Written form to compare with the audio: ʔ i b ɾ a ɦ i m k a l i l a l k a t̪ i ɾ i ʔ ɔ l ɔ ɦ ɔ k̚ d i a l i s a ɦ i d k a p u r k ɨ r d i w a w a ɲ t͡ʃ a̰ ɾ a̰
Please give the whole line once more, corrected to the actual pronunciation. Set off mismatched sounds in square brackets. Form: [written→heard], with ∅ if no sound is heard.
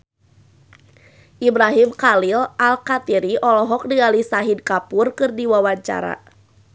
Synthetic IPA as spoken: ʔ i b ɾ a ɦ i m k a l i l a l k a t̪ i ɾ i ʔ ɔ l ɔ ɦ ɔ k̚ d i a l i s a ɦ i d k a p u r k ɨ r d i w a w a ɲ t͡ʃ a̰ ɾ a̰